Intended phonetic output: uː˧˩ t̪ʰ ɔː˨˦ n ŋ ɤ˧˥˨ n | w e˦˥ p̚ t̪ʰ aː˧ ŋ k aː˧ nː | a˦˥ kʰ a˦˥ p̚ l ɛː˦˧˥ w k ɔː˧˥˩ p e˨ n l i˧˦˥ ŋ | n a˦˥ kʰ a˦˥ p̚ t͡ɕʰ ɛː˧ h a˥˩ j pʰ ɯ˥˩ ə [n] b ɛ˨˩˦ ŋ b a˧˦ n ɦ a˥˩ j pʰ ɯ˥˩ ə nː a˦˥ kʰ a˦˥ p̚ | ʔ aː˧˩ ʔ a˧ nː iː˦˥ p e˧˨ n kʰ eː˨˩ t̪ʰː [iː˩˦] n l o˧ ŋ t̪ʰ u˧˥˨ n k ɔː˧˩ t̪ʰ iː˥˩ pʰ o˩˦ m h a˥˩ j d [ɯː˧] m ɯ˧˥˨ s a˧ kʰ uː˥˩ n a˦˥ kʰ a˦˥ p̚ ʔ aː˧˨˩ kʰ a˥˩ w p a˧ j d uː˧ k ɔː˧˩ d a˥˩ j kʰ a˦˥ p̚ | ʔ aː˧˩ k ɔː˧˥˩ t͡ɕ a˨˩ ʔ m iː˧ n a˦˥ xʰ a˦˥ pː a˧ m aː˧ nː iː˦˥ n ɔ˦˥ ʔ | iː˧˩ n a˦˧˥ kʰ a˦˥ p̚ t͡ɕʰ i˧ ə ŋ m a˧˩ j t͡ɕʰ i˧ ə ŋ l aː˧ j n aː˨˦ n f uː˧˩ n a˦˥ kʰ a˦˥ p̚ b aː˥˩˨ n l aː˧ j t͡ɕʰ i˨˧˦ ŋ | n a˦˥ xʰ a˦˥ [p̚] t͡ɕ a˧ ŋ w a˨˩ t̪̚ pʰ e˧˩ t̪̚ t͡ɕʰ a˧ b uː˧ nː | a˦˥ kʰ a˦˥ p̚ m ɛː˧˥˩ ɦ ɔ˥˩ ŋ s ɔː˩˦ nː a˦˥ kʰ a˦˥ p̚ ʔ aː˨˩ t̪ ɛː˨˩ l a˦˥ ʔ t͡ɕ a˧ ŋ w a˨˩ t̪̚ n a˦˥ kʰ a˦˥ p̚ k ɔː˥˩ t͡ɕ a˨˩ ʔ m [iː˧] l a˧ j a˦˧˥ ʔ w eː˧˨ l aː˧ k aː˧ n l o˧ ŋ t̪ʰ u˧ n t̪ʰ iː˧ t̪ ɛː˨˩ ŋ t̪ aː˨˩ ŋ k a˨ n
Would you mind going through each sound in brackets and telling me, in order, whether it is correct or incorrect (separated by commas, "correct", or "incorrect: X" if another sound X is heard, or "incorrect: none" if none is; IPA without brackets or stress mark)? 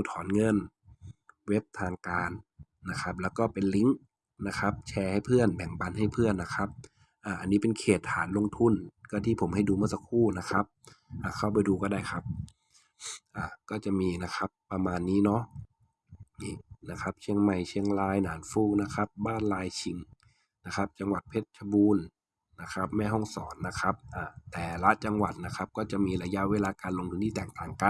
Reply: correct, incorrect: aː˩˦, incorrect: uː˧, correct, correct